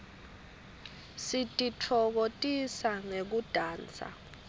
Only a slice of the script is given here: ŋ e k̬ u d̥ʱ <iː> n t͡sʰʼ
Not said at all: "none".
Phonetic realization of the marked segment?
aː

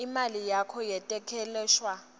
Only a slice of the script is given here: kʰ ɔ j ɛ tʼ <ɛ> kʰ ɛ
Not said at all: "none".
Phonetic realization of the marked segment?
ɛ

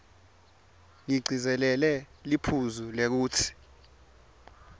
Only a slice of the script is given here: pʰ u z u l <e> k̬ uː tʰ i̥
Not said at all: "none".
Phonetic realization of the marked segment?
e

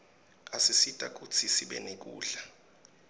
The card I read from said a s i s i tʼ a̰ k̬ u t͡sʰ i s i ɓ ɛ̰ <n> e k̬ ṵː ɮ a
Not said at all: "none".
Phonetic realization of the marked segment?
n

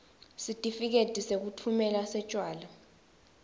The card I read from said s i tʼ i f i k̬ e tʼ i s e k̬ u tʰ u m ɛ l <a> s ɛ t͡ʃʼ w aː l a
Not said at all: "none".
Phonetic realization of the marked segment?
a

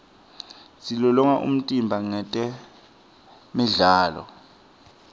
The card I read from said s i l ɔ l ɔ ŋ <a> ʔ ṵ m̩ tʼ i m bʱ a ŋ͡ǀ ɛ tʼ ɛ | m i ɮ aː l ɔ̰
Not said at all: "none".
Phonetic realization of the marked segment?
a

